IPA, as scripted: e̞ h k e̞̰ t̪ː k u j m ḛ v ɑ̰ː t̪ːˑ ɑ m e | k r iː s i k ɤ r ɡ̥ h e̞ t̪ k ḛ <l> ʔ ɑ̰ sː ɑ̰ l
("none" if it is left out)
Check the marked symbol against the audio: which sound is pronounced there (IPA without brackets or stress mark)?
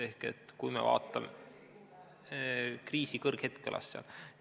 l